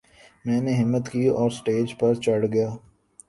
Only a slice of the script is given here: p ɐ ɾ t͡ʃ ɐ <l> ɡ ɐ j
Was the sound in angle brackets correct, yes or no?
no